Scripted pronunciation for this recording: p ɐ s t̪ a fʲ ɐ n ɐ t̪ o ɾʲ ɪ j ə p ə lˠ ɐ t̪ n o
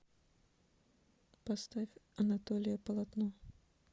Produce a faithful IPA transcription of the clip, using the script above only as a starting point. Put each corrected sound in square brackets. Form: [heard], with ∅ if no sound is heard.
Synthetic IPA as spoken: p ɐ s t̪ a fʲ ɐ n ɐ t̪ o [lʲ] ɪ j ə p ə lˠ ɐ t̪ n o